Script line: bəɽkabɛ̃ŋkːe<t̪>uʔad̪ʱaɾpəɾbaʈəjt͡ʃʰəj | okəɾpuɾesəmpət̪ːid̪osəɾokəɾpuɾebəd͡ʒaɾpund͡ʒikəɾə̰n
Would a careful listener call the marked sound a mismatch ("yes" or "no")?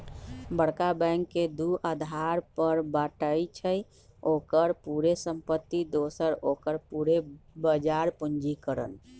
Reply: yes